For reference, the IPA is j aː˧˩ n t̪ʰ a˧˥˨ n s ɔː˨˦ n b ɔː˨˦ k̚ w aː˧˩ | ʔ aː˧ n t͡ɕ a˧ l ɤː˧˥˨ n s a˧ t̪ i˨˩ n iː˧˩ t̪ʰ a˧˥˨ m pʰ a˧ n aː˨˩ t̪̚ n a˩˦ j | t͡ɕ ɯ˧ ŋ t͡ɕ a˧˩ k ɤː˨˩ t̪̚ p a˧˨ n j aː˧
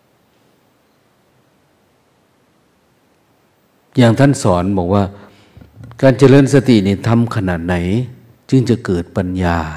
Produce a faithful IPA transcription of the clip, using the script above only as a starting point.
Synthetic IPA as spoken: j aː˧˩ ŋ t̪ʰ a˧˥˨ n s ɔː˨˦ n b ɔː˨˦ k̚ w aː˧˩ | k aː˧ n t͡ɕ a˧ l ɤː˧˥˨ n s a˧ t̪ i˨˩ n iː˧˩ t̪ʰ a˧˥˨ m kʰ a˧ n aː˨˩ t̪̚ n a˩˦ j | t͡ɕ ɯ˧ ŋ t͡ɕ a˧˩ k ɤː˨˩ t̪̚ p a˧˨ n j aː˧